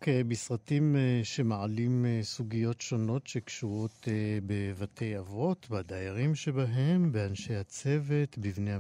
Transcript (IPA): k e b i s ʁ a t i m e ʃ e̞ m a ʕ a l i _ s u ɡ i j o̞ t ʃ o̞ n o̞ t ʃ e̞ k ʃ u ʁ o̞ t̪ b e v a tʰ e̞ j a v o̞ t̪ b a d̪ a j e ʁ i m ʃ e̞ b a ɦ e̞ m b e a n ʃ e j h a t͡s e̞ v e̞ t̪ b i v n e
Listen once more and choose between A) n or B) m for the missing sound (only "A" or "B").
B